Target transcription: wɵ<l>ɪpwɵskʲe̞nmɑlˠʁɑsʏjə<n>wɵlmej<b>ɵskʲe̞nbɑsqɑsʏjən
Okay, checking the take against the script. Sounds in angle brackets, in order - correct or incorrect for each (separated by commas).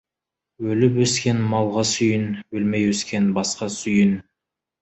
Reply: correct, correct, incorrect